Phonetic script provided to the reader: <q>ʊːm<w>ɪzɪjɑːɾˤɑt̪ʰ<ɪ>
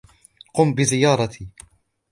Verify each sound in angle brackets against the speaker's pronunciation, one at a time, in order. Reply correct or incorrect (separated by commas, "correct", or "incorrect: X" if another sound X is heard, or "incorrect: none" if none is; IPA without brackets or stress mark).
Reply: correct, incorrect: b, incorrect: i